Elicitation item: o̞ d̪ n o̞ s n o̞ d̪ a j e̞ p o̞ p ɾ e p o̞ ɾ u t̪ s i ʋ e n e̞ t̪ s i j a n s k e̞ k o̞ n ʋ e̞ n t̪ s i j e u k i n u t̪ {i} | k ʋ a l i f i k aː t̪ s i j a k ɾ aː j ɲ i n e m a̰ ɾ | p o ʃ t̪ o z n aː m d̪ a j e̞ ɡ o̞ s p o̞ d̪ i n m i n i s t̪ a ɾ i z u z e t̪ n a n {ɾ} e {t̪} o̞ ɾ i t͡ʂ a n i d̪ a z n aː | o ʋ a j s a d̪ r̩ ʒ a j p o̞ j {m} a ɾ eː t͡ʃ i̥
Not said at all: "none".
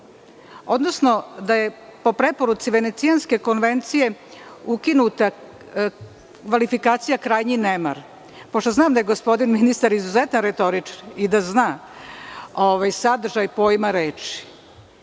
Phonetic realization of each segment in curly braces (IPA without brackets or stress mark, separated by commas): a, ɾ, t̪, m